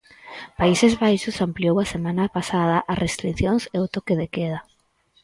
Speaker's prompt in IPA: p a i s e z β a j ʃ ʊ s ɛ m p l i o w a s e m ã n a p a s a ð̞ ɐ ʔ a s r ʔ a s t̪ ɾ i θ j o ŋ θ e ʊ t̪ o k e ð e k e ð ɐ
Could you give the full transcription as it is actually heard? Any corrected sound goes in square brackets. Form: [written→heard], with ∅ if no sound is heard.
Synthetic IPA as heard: p a i s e z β a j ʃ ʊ s [ɛ→a] m p l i o w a s e m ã n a p a s a ð̞ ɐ ʔ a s r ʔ [a→e] s t̪ ɾ i θ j o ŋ [θ→s] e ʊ t̪ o k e ð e k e ð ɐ